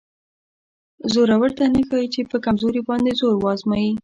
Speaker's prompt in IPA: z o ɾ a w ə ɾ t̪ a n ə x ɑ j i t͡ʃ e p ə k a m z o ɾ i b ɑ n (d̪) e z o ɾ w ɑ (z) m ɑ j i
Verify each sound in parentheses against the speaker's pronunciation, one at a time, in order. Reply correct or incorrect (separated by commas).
correct, correct